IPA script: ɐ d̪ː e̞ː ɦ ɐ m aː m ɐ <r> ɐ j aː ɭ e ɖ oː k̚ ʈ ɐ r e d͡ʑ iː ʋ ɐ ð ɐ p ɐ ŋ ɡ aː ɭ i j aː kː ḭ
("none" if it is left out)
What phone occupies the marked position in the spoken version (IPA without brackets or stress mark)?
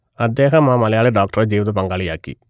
l